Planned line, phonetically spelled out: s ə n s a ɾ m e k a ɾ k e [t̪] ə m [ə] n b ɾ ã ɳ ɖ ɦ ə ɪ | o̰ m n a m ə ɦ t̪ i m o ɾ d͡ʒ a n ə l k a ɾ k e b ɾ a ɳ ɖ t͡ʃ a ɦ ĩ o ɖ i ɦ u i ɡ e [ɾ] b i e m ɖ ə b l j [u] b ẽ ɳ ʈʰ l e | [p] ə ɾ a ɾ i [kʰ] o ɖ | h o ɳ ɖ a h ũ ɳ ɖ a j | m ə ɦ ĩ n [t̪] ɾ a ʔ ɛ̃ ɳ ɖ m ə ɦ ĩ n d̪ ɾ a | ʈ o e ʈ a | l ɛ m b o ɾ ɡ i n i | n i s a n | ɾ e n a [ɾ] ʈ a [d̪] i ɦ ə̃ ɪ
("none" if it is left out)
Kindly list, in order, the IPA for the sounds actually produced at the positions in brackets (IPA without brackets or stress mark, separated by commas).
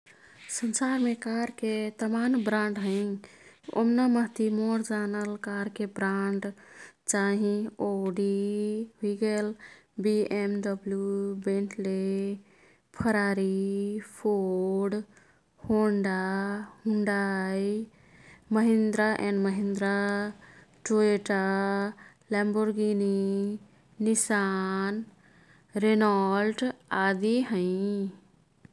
t̪, a, l, u, pʰ, pʰ, d̪, l, d̪